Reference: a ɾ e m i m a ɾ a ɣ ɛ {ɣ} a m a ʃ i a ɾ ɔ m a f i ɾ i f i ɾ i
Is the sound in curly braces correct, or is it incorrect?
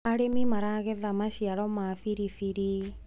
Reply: incorrect: ð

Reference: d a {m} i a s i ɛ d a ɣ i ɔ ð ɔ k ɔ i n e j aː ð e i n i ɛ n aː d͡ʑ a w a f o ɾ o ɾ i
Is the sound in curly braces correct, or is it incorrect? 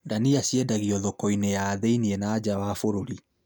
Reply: incorrect: n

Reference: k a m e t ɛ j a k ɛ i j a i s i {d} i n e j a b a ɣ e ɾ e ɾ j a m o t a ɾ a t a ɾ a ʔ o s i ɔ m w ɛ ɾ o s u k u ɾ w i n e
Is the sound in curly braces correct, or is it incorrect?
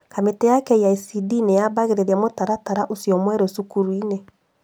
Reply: correct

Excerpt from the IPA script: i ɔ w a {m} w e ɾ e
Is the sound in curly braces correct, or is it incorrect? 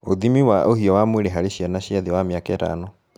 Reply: correct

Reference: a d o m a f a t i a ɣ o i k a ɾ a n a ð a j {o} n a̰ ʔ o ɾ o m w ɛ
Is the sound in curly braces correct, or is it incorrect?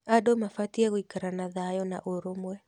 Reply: incorrect: ɔ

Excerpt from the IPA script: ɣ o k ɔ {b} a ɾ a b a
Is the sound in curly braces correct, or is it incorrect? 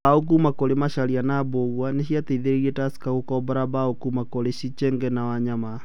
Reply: correct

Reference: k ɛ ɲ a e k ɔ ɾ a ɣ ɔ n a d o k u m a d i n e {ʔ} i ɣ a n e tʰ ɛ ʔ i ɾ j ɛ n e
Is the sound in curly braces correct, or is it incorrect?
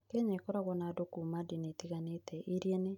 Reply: incorrect: t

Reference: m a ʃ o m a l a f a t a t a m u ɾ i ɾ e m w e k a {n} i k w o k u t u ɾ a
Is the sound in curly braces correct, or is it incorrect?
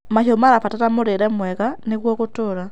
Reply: correct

